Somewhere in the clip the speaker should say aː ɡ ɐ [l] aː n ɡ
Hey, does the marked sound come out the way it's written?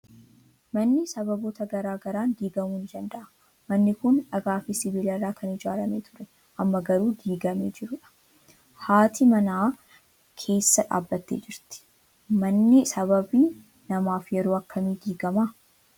no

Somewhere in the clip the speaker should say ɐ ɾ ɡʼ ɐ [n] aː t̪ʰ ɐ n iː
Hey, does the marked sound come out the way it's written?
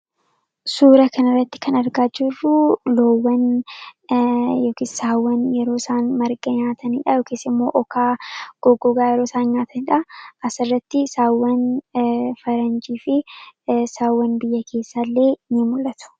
no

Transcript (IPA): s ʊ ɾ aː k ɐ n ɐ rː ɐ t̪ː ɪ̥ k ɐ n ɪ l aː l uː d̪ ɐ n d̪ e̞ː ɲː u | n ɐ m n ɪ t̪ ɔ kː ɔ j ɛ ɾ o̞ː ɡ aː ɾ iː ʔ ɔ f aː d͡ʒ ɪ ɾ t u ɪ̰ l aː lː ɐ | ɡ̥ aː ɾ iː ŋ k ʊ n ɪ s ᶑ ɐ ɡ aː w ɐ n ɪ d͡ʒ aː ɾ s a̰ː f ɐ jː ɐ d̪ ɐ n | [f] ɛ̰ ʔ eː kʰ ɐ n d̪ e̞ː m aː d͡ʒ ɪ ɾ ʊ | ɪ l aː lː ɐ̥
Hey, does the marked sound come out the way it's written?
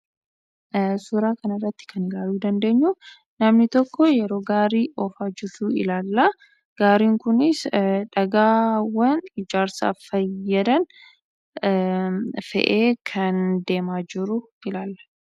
yes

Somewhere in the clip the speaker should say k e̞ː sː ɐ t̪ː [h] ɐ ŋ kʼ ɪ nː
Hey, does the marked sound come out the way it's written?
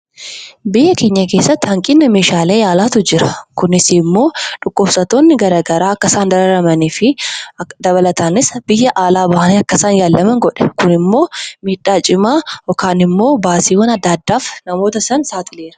yes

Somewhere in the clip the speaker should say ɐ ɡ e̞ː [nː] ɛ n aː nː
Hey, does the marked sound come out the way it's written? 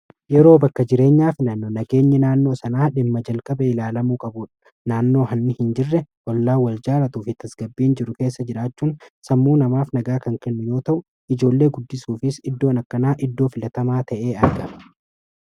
no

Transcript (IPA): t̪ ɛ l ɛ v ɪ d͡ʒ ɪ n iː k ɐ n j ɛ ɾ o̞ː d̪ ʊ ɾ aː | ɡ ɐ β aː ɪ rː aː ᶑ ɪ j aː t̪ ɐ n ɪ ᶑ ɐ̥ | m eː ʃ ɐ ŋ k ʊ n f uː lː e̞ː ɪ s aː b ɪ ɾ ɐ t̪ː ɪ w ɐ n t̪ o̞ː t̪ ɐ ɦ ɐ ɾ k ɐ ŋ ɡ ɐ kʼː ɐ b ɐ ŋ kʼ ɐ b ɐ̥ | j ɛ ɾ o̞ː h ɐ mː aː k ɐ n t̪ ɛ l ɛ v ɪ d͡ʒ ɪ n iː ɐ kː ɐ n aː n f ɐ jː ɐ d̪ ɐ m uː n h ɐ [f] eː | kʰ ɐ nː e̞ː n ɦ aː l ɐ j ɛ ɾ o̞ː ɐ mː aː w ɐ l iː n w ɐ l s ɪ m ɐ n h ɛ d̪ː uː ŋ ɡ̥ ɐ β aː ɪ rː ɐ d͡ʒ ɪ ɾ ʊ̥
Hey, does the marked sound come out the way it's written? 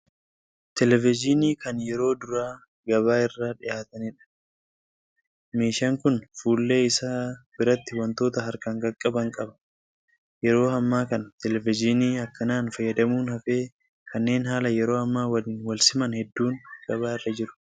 yes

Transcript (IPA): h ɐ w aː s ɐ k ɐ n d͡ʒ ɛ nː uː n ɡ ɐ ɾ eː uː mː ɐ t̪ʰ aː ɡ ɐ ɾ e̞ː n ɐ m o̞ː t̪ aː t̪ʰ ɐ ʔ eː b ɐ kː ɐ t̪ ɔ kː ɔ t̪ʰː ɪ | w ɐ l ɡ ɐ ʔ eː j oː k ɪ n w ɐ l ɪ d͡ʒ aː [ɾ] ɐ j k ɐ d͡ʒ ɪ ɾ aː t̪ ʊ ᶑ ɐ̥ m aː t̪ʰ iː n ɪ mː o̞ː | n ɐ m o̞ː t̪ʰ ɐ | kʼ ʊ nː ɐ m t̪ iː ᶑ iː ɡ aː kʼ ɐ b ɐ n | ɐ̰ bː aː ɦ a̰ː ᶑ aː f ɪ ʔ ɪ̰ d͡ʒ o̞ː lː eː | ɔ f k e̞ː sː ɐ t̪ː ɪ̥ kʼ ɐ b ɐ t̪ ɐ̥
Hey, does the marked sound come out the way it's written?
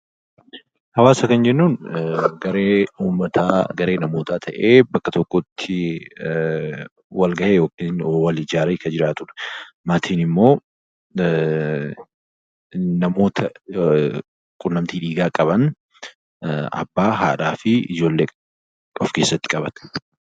yes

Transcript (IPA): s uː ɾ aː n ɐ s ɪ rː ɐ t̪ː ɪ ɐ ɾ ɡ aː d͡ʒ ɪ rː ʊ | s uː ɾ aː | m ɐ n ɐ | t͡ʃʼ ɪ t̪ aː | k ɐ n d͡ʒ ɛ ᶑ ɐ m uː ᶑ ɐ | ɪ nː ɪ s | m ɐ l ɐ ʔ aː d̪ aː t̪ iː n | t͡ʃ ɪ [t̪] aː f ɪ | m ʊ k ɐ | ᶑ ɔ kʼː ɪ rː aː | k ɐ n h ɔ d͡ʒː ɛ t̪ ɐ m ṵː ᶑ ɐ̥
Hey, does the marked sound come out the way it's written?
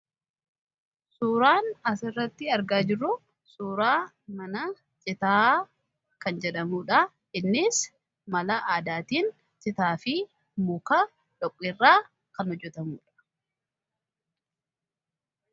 yes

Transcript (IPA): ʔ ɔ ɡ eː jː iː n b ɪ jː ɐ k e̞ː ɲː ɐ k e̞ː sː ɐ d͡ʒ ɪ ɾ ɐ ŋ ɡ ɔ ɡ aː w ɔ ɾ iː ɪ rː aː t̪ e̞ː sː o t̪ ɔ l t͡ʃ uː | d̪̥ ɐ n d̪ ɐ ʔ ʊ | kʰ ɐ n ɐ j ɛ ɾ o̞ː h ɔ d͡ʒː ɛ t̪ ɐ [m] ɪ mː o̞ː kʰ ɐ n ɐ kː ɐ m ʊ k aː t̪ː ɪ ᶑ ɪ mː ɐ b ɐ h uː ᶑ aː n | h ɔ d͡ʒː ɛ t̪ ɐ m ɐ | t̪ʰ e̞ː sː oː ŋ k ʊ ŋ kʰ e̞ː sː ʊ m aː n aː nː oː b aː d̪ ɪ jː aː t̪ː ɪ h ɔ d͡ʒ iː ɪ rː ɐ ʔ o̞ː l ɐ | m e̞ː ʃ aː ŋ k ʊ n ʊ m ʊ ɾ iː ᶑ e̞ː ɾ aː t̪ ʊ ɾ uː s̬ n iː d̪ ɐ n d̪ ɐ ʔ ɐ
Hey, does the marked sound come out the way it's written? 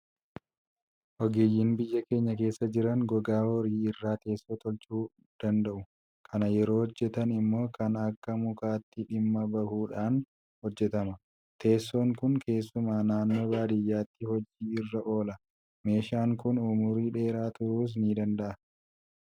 no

